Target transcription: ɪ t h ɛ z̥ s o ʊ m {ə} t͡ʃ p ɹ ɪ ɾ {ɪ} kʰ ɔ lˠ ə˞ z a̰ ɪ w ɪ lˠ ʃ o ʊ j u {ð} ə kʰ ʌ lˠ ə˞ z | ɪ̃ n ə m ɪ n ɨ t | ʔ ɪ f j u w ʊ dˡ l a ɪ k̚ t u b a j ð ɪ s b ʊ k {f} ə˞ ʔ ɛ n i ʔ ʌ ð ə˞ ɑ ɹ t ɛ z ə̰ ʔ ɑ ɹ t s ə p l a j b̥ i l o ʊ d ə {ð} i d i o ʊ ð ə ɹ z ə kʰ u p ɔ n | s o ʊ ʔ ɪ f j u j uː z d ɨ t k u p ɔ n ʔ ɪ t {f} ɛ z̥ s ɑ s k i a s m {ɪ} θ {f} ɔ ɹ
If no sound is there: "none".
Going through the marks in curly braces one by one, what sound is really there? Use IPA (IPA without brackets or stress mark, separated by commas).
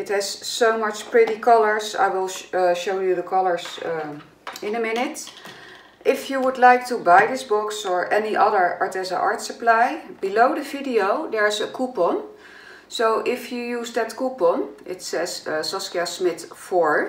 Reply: ʌ, i, ð, s, v, s, ɪ, f